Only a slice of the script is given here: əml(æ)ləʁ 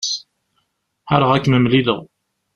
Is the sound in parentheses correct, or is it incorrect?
incorrect